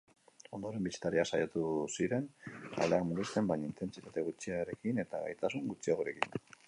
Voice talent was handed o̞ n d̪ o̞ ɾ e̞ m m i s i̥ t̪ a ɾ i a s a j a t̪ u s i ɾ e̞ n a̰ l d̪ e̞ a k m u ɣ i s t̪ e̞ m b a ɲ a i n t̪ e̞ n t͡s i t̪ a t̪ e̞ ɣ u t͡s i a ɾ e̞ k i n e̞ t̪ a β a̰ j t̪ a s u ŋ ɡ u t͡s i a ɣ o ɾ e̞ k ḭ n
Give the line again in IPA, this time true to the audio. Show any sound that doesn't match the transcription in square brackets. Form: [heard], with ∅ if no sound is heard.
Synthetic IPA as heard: o̞ n d̪ o̞ ɾ e̞ m [b] i s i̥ t̪ a ɾ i a s a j a t̪ u s i ɾ e̞ n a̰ l d̪ e̞ a k m u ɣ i s t̪ e̞ m b a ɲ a i n t̪ e̞ n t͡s i t̪ a t̪ e̞ ɣ u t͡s i a ɾ e̞ k i n e̞ t̪ a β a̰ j t̪ a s u ŋ ɡ u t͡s i a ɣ o ɾ e̞ k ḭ n